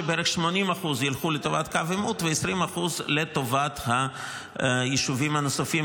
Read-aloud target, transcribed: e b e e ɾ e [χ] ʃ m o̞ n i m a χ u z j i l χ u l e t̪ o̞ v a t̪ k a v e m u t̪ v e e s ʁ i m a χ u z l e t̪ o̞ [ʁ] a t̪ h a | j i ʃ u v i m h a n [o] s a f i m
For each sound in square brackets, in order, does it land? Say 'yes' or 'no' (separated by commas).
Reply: yes, no, yes